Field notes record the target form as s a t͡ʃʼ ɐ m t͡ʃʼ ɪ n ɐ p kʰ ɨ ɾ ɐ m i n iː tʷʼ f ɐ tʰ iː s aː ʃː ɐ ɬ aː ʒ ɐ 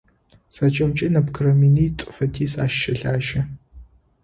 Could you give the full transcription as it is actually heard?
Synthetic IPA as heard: s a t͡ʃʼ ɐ m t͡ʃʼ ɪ n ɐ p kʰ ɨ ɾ ɐ m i n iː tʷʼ f ɐ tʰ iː s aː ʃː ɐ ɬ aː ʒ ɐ